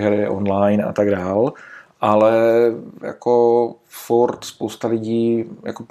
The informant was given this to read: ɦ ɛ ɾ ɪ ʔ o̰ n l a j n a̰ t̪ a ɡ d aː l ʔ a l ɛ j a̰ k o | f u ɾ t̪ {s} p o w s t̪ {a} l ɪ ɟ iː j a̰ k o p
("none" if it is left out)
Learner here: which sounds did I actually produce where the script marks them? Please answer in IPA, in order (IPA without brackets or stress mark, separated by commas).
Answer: s, a